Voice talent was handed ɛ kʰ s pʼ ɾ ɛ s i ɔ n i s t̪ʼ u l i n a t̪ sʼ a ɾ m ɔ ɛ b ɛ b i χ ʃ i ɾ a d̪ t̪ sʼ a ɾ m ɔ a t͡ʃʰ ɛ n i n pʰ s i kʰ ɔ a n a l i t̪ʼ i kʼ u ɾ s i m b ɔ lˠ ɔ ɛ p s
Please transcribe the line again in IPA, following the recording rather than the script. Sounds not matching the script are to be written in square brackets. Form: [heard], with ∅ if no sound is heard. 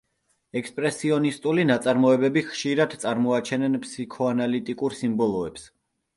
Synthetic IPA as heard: ɛ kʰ s pʼ ɾ ɛ s i ɔ n i s t̪ʼ u l i n a t̪ sʼ a ɾ m ɔ ɛ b ɛ b i χ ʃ i ɾ a d̪ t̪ sʼ a ɾ m ɔ a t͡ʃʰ ɛ n [ɛ] n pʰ s i kʰ ɔ a n a l i t̪ʼ i kʼ u ɾ s i m b ɔ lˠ ɔ ɛ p s